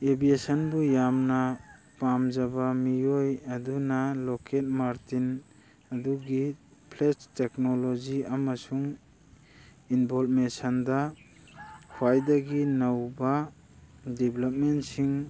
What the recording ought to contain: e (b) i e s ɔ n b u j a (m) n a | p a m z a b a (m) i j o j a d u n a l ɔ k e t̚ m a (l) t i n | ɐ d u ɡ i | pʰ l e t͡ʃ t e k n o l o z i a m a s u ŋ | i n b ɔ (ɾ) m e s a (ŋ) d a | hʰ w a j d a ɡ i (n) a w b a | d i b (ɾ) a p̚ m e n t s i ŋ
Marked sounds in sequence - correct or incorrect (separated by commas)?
correct, correct, correct, incorrect, incorrect, incorrect, correct, incorrect